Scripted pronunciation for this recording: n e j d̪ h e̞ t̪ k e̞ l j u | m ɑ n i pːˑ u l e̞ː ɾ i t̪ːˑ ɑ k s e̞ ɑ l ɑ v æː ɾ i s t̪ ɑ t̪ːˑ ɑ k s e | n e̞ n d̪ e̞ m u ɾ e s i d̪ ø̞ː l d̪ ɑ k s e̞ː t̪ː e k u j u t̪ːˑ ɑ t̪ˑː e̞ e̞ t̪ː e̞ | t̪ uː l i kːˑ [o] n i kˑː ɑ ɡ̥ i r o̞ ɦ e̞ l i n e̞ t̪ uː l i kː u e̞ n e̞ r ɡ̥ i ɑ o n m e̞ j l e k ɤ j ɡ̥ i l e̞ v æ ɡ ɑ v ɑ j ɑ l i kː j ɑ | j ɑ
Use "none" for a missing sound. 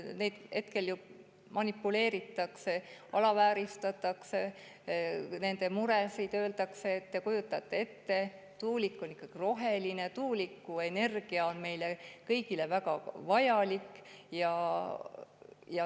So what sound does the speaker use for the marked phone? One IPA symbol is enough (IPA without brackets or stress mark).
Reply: o